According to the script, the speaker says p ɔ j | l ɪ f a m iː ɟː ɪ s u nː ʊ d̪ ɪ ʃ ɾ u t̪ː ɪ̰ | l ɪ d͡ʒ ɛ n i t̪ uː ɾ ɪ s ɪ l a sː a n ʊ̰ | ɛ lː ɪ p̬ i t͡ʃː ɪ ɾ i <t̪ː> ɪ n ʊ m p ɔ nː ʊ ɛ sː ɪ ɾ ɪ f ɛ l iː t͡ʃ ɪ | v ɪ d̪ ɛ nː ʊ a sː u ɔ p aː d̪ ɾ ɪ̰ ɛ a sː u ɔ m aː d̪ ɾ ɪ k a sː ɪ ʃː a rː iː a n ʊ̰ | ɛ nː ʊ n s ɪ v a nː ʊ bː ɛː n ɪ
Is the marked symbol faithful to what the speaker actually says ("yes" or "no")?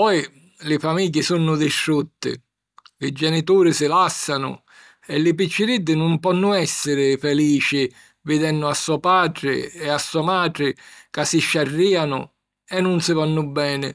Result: no